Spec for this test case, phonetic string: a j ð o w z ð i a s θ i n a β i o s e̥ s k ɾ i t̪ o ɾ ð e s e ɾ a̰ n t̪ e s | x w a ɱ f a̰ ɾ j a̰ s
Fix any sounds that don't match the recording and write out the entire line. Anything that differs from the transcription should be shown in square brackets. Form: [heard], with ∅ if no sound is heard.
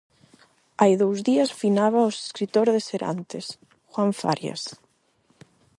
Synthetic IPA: a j ð o w z ð i a s [f] i n a β [a] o s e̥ s k ɾ i t̪ o ɾ ð e s e ɾ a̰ n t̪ e s | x w a ɱ f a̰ ɾ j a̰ s